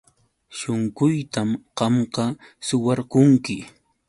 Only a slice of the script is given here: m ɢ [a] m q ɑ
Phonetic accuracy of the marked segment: incorrect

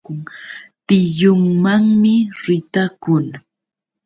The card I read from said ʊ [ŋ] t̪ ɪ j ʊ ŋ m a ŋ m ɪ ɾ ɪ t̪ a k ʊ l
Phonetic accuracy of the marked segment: correct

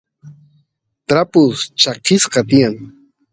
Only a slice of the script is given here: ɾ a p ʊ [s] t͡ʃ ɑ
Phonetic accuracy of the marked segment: correct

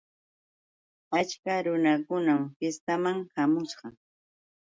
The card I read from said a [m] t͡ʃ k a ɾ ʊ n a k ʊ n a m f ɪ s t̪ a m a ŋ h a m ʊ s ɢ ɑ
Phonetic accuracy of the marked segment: incorrect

